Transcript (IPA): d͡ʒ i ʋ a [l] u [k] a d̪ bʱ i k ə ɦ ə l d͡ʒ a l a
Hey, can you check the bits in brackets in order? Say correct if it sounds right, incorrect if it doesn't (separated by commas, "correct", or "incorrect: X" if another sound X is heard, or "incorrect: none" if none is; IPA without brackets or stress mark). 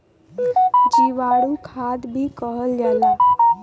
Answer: incorrect: ɽ, incorrect: kʰ